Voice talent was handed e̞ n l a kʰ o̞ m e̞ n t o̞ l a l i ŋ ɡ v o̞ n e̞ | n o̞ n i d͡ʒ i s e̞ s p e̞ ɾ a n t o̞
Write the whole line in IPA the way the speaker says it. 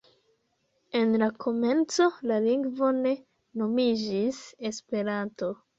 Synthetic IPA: e̞ n l a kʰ o̞ m e̞ n t͡s o̞ l a l i ŋ ɡ v o̞ n e̞ | n o̞ m i d͡ʒ i s e̞ s p e̞ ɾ a n t o̞